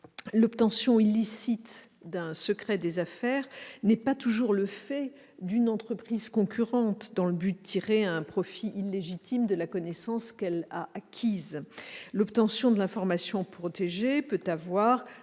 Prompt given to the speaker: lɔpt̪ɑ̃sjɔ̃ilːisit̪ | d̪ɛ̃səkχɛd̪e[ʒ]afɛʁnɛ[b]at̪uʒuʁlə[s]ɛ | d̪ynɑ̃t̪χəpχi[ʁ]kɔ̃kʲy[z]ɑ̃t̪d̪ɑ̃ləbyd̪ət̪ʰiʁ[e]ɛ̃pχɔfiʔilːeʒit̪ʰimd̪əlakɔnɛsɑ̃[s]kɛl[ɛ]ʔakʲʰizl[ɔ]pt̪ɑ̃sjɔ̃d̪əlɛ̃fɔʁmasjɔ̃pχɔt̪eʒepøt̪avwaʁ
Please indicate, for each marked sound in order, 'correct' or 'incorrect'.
incorrect, incorrect, incorrect, incorrect, incorrect, correct, correct, incorrect, correct

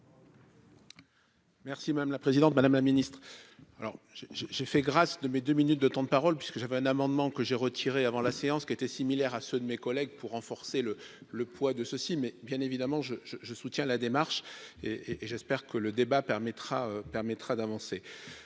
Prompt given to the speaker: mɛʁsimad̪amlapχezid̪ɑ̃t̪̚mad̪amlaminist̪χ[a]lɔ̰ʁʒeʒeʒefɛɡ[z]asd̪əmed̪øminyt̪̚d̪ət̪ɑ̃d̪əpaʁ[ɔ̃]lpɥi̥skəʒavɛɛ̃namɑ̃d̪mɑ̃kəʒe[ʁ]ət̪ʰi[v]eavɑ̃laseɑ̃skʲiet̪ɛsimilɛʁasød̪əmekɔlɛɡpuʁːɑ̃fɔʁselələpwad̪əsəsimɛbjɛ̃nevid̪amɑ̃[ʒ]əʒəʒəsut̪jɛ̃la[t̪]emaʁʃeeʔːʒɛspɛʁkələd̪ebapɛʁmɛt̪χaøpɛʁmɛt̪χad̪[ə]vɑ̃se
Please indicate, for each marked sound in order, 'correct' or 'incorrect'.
correct, incorrect, incorrect, correct, incorrect, correct, incorrect, incorrect

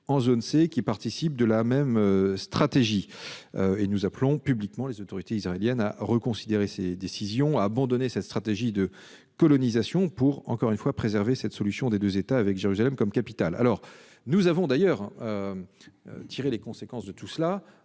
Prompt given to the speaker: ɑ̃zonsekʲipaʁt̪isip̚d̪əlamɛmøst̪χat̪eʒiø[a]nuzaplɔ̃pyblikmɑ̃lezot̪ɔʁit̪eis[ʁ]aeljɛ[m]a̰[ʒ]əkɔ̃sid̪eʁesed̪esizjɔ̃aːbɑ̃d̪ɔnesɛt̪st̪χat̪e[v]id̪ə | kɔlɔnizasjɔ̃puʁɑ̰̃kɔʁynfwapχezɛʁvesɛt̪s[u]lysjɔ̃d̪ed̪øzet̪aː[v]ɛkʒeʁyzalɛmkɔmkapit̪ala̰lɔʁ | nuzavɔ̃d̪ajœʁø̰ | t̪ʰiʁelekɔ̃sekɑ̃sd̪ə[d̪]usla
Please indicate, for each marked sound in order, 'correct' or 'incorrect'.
incorrect, correct, incorrect, incorrect, incorrect, incorrect, correct, incorrect

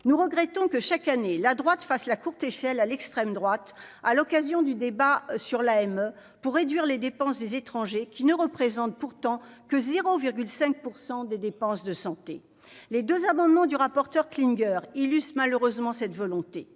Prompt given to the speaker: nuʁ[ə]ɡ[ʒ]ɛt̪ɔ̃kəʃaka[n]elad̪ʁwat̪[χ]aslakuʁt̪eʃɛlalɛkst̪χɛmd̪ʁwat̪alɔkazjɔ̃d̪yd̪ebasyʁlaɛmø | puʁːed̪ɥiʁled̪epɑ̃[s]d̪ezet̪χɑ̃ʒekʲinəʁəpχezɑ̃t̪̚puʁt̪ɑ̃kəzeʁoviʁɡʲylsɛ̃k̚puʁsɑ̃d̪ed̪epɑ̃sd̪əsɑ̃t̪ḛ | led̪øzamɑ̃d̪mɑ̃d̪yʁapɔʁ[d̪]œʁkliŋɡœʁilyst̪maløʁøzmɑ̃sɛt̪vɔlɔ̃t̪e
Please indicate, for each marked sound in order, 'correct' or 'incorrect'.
correct, incorrect, correct, incorrect, correct, incorrect

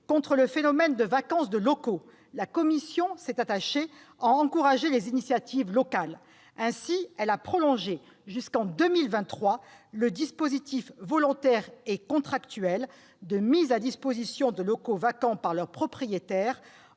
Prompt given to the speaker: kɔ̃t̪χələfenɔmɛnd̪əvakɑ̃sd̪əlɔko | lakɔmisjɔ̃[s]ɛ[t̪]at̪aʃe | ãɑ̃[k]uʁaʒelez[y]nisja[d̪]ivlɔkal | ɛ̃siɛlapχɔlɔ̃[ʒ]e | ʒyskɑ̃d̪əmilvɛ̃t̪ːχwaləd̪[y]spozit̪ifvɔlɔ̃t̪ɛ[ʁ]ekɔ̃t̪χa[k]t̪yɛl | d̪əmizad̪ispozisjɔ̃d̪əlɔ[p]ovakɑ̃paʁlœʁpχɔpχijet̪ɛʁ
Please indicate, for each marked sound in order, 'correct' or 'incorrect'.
correct, correct, correct, incorrect, incorrect, correct, incorrect, correct, correct, incorrect

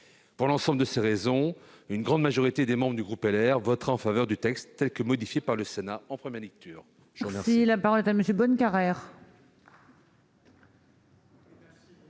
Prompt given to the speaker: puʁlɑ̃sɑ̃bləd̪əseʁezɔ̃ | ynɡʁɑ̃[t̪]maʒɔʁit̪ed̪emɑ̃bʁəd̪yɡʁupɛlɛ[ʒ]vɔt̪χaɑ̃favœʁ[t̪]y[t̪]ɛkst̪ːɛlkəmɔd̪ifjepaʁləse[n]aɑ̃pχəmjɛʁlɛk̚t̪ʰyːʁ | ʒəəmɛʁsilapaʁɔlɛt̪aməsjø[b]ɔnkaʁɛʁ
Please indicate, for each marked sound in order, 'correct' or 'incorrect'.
incorrect, incorrect, incorrect, correct, correct, correct

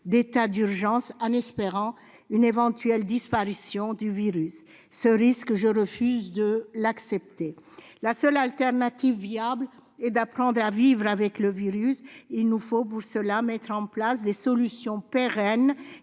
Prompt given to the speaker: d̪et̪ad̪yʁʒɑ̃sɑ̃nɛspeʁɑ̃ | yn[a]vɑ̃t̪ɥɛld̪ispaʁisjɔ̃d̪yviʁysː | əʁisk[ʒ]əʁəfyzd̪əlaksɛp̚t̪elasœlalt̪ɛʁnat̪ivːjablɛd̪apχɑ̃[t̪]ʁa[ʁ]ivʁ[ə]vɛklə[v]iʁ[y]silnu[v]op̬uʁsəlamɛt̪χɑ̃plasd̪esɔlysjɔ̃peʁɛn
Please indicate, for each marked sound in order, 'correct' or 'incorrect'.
incorrect, correct, incorrect, incorrect, incorrect, correct, correct, incorrect

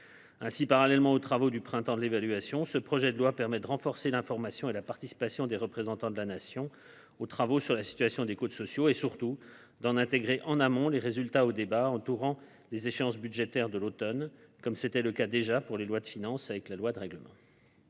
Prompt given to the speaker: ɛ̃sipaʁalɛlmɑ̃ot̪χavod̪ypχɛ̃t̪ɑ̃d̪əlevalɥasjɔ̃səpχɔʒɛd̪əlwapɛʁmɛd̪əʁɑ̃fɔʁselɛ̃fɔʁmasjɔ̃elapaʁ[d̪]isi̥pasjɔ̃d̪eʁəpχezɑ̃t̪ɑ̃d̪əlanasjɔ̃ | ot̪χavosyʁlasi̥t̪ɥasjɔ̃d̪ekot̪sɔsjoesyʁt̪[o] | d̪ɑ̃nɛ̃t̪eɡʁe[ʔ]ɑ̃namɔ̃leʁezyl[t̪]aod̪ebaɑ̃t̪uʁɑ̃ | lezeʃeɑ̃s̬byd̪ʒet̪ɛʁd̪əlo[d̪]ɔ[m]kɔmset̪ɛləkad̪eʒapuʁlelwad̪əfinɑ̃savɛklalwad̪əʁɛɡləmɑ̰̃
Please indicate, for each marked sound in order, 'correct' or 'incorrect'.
incorrect, incorrect, correct, correct, incorrect, incorrect

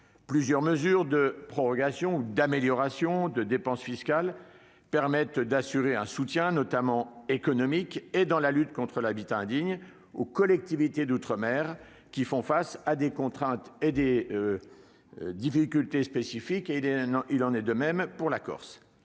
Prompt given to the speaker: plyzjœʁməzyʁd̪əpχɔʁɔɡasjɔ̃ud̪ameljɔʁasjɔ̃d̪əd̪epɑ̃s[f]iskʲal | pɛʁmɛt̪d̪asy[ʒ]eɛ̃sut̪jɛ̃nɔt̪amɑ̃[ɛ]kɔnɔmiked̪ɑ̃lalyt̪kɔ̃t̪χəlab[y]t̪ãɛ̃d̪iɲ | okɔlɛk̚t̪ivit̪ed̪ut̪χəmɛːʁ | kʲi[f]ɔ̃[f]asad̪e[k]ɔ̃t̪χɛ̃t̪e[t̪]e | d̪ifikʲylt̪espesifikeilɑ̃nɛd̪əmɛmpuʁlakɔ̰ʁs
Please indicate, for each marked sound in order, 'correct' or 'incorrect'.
correct, incorrect, incorrect, incorrect, correct, correct, correct, incorrect

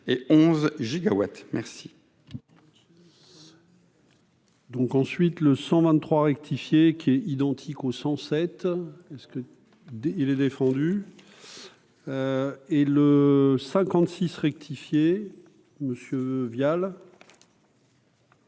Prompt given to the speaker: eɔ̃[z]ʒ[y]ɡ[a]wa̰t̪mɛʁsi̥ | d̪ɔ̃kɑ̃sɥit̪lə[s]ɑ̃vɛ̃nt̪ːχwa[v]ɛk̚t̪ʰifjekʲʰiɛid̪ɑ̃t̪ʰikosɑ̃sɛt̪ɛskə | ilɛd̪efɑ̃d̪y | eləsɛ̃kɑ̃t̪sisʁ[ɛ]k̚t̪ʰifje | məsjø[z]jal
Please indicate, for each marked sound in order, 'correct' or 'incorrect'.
correct, incorrect, correct, correct, incorrect, correct, incorrect

